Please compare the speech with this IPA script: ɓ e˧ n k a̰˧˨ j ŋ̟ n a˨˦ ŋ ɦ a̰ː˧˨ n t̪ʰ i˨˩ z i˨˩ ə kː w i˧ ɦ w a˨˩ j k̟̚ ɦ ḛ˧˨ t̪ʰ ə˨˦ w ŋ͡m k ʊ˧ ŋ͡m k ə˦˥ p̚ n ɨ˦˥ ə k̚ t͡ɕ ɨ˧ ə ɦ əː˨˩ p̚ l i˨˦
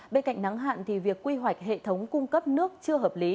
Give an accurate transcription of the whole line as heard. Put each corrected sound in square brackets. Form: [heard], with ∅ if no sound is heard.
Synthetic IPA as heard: ɓ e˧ n k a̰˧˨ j ŋ̟ n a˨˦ ŋ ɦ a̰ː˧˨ n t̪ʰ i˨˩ [v] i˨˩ ə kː w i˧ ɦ w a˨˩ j k̟̚ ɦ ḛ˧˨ t̪ʰ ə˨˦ w ŋ͡m k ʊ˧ ŋ͡m k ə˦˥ p̚ n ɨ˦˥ ə k̚ t͡ɕ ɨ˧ ə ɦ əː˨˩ p̚ l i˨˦